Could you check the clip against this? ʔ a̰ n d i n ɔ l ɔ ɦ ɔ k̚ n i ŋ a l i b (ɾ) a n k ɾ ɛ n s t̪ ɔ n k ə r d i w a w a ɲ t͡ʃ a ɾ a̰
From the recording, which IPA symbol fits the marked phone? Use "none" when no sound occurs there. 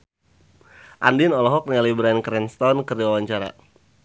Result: ɾ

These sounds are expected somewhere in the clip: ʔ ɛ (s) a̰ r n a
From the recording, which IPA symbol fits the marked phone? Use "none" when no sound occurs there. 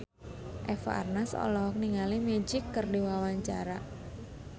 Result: f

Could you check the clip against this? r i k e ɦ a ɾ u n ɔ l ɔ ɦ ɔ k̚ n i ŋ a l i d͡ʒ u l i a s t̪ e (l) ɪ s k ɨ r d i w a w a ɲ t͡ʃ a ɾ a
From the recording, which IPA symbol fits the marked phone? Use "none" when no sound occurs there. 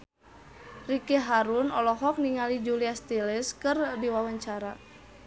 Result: l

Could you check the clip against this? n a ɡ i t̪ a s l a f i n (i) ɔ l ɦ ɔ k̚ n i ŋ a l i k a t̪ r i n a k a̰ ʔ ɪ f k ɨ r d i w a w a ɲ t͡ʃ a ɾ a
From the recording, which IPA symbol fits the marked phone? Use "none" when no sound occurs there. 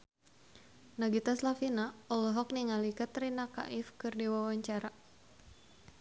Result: a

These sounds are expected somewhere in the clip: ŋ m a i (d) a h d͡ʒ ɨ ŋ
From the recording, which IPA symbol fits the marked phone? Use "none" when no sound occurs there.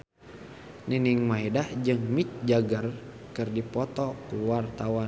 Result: d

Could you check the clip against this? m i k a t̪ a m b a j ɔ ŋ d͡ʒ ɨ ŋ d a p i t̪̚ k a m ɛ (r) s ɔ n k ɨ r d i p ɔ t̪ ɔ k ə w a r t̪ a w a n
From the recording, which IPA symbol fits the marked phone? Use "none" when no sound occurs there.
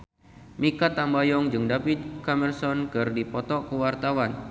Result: r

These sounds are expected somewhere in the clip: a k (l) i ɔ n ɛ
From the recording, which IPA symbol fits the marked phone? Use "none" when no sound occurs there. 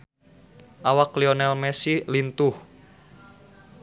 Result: l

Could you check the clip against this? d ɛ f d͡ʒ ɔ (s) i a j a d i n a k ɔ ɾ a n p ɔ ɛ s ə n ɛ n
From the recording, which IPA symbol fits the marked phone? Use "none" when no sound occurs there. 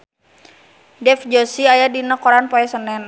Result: s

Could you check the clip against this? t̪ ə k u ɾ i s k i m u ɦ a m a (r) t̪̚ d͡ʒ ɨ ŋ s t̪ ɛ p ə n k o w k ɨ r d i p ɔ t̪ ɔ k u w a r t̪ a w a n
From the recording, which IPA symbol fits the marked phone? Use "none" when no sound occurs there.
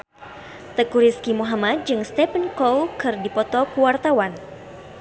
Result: none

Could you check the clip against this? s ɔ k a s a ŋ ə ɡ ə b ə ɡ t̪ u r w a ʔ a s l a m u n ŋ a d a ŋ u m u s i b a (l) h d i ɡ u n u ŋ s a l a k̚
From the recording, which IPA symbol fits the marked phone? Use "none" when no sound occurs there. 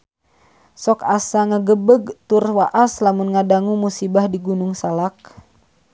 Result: none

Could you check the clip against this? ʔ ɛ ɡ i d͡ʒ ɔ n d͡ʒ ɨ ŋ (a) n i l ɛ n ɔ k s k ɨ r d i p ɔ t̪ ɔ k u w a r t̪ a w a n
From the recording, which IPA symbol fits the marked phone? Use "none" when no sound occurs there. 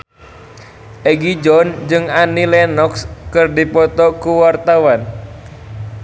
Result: a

